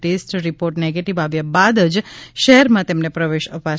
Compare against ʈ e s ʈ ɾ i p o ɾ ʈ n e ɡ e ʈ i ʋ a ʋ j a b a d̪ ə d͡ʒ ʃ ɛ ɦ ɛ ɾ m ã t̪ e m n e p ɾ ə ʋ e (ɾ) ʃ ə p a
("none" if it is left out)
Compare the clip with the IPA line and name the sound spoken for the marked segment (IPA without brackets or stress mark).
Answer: none